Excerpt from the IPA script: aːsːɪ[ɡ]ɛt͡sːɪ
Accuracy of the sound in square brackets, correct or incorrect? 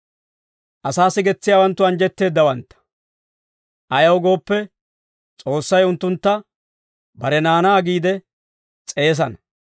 correct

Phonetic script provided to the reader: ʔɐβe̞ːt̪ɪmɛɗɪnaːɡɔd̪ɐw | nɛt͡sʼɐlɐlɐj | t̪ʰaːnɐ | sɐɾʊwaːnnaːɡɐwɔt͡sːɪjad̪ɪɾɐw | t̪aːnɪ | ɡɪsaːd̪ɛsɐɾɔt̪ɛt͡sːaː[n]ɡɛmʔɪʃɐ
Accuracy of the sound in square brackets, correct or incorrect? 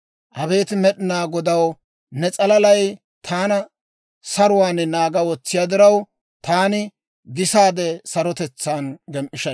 correct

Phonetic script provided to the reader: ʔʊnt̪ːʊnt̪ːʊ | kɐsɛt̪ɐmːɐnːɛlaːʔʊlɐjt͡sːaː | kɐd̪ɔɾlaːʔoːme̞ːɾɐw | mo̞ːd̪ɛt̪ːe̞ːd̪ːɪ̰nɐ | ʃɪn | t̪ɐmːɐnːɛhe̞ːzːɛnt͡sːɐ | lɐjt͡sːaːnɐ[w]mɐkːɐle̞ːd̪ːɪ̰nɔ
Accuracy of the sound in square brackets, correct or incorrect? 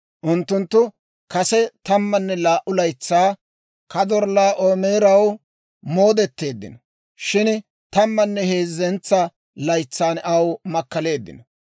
correct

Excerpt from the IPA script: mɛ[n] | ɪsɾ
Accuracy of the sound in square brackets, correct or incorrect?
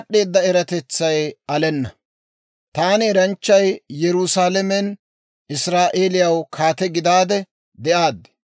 correct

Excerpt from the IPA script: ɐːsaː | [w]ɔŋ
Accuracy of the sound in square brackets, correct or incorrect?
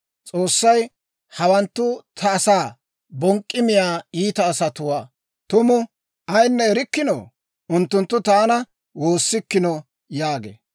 incorrect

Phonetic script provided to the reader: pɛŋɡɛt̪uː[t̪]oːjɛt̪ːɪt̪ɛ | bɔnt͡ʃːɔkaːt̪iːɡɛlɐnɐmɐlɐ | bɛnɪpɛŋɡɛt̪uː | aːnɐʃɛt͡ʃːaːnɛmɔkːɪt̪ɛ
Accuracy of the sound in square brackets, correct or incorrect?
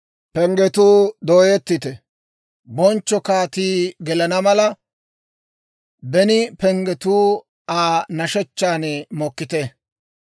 incorrect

